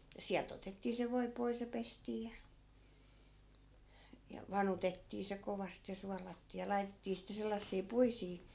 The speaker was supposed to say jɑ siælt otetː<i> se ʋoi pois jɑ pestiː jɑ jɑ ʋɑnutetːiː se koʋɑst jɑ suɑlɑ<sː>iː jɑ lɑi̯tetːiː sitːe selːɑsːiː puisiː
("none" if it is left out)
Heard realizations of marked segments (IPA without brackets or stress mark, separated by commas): iː, tː